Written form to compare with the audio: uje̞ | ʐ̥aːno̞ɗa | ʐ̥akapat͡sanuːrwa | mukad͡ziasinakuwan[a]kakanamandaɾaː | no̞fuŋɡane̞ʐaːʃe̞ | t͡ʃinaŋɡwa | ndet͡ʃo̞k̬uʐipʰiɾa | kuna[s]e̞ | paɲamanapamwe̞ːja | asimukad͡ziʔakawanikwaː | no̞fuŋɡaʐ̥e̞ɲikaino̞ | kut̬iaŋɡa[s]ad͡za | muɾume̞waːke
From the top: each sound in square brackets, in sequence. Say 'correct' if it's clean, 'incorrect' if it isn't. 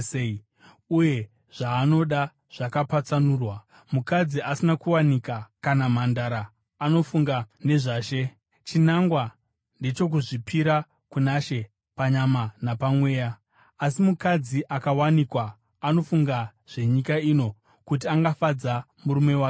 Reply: incorrect, incorrect, incorrect

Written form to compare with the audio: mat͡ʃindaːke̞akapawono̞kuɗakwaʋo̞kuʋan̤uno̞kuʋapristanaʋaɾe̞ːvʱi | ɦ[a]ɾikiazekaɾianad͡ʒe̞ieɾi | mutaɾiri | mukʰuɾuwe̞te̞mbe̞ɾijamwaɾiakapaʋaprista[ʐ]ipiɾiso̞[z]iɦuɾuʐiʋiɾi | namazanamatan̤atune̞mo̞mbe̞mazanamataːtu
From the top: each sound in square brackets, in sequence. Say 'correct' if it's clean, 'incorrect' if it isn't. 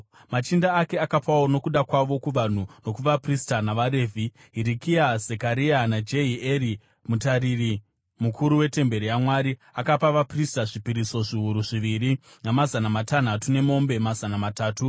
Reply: incorrect, correct, incorrect

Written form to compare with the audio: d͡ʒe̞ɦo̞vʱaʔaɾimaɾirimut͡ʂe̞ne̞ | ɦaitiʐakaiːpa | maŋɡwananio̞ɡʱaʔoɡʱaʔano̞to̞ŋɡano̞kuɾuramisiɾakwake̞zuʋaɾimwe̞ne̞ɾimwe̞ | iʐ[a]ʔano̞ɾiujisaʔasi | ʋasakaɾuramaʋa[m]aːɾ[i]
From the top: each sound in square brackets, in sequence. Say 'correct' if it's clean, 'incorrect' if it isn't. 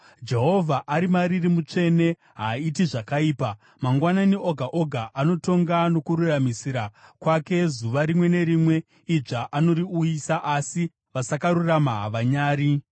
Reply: correct, incorrect, correct

